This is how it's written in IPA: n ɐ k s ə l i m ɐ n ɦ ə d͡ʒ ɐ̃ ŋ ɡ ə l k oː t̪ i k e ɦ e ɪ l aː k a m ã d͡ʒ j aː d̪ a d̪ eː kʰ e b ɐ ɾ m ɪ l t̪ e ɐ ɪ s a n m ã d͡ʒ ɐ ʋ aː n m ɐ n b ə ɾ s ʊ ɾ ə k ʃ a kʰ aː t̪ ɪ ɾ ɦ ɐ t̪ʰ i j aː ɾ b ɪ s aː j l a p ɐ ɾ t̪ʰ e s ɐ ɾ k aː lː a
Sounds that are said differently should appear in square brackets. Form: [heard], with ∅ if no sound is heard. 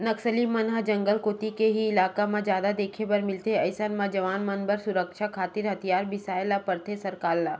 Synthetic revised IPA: n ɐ k s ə l i m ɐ n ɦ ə d͡ʒ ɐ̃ ŋ ɡ ə l k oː t̪ i k e ɦ [i] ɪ l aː k a m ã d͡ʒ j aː d̪ a d̪ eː kʰ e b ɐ ɾ m ɪ l t̪ e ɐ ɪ s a n m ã d͡ʒ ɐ ʋ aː n m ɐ n b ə ɾ s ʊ ɾ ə k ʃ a kʰ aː t̪ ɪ ɾ ɦ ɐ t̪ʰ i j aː ɾ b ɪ s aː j l a p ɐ ɾ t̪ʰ e s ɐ ɾ k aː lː a